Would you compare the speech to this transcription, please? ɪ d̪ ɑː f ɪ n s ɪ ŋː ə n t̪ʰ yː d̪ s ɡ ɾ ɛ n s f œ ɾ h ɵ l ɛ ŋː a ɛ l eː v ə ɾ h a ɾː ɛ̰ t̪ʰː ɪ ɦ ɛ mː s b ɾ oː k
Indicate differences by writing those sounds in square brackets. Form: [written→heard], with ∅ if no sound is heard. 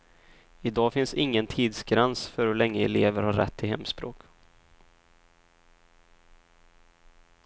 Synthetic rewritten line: ɪ d̪ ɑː f ɪ n s ɪ ŋː ə n t̪ʰ [yː→iː] d̪ s ɡ ɾ ɛ n s f œ ɾ h ɵ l ɛ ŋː [a→ə] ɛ l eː v ə ɾ h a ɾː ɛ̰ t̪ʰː ɪ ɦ ɛ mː s [b→p] ɾ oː k